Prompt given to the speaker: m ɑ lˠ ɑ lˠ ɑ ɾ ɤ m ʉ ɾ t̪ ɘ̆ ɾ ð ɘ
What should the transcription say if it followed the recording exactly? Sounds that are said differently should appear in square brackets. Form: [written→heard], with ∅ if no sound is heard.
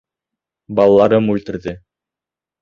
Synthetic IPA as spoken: [m→b] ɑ lˠ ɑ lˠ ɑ ɾ ɤ m ʉ [ɾ→l] t̪ ɘ̆ ɾ ð ɘ